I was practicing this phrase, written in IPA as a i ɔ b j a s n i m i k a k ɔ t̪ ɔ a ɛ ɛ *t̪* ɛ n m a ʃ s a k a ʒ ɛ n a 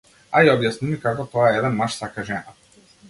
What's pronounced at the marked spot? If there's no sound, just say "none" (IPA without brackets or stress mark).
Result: d̪